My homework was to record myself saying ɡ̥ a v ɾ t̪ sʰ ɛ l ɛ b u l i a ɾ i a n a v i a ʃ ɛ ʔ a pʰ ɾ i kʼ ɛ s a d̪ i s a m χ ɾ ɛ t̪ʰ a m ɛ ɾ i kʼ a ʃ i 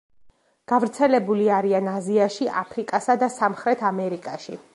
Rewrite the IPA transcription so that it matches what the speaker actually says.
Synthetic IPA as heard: ɡ̥ a v ɾ t̪ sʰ ɛ l ɛ b u l i a ɾ i a n a z i a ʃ i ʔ a pʰ ɾ i kʼ a s a d̪ a s a m χ ɾ ɛ t̪ʰ a m ɛ ɾ i kʼ a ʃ i

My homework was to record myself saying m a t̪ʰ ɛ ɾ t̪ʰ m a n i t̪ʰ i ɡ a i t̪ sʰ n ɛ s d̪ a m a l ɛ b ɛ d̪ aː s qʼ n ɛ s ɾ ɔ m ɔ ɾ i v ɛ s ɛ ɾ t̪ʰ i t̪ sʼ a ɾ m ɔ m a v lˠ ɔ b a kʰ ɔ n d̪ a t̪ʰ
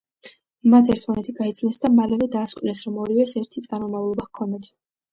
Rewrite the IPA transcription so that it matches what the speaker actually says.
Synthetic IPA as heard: m a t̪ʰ ɛ ɾ t̪ʰ m a n ɛ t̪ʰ i ɡ a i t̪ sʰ n ɛ s d̪ a m a l ɛ v ɛ d̪ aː s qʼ n ɛ s ɾ ɔ m ɔ ɾ i v ɛ s ɛ ɾ t̪ʰ i t̪ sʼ a ɾ m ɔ m a v lˠ ɔ b a kʰ ɔ n d̪ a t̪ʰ

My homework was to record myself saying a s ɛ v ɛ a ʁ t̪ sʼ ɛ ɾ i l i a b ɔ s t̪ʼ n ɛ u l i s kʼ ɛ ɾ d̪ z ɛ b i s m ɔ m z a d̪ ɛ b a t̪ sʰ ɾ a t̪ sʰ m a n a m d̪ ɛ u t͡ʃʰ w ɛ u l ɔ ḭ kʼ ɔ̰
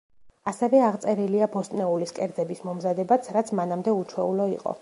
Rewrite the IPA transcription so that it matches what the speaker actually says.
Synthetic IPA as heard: a s ɛ v ɛ a ʁ t̪ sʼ ɛ ɾ i l i a b ɔ s t̪ʼ n ɛ u l i s kʼ ɛ ɾ d̪ z ɛ b i s m ɔ m z a d̪ ɛ b a t̪ sʰ ɾ a t̪ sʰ m a n a m d̪ ɛ u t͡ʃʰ w ɛ u l ɔ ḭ qʼ ɔ̰

